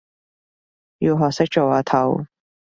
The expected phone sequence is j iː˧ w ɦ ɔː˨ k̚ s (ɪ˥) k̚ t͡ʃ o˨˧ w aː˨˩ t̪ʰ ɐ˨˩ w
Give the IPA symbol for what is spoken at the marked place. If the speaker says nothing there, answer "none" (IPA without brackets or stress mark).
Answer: ɪ˥